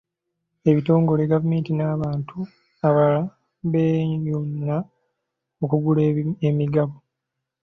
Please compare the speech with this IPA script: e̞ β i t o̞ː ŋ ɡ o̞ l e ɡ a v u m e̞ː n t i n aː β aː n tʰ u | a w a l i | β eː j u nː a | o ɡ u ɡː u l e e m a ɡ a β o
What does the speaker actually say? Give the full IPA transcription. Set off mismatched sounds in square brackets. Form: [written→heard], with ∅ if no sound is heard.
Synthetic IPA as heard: e̞ β i t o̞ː ŋ ɡ o̞ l e ɡ a v u m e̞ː n t i n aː β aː n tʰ u | a [w→β] a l [i→a] | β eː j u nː a | o [ɡ→k] u [ɡː→ɡ] u l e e m [a→i] ɡ a β o